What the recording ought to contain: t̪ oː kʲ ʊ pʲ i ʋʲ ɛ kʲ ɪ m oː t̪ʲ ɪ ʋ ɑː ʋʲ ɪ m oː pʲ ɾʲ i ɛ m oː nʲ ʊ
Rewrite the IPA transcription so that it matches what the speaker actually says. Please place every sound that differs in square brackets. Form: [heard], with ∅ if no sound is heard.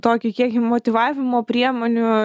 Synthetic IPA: t̪ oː kʲ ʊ [kʲ] i [∅] ɛ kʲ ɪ m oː t̪ʲ ɪ ʋ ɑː ʋʲ ɪ m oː pʲ ɾʲ i ɛ m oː nʲ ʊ